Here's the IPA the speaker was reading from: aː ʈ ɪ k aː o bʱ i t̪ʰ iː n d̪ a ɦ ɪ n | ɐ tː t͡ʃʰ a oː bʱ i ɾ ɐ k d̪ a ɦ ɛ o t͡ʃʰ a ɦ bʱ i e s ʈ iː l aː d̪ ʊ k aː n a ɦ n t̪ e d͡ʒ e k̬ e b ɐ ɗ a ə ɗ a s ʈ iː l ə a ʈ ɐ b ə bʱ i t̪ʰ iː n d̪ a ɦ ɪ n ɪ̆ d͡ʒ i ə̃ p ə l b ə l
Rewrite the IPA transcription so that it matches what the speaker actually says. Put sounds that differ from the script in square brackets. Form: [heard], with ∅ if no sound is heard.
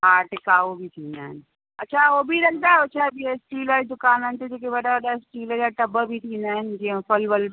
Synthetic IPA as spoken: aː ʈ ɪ k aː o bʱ i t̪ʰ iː n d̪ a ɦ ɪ n | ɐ tː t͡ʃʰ a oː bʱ i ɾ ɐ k d̪ a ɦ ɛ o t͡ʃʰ a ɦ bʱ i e s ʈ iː l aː d̪ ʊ k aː n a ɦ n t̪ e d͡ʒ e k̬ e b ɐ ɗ a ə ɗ a s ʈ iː l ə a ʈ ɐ b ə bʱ i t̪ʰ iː n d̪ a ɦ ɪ n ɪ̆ d͡ʒ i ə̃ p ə l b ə l

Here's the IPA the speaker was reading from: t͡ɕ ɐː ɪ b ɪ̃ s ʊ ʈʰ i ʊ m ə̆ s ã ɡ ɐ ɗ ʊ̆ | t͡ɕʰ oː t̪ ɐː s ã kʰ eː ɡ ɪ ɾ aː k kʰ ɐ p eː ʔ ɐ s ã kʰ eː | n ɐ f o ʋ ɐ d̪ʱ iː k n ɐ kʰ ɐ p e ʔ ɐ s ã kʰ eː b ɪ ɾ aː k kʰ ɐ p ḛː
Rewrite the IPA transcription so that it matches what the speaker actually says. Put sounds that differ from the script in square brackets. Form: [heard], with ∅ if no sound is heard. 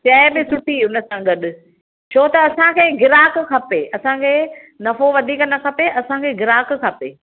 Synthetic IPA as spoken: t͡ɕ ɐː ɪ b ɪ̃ s ʊ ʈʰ i ʊ [n] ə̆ s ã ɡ ɐ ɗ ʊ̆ | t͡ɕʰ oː t̪ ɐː s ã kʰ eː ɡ ɪ ɾ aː k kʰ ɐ p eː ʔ ɐ s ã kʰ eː | n ɐ f o ʋ ɐ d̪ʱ iː k n ɐ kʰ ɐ p e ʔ ɐ s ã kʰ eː [ɡ] ɪ ɾ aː k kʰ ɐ p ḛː

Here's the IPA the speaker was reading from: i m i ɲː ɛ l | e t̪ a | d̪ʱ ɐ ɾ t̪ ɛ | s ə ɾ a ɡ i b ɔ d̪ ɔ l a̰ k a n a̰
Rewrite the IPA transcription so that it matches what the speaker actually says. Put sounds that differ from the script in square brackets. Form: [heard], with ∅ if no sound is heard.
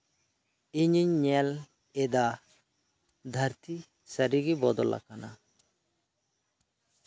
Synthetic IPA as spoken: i [ɲ] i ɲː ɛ l | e [d̪] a | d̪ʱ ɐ ɾ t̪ [i] | s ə ɾ [i] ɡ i b ɔ d̪ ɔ l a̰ k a n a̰

